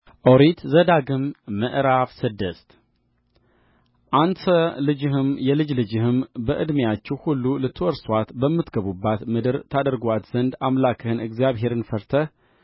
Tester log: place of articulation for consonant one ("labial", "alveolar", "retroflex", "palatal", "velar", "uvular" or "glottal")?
glottal